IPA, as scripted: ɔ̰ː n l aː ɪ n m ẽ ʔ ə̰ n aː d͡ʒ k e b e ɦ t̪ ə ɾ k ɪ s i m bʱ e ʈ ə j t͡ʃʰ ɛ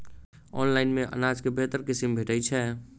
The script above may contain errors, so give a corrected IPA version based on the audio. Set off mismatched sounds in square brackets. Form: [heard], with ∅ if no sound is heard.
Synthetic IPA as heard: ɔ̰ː n l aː ɪ n m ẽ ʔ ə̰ n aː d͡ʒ k e b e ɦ t̪ ə ɾ k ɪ s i m bʱ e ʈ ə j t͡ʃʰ ɛ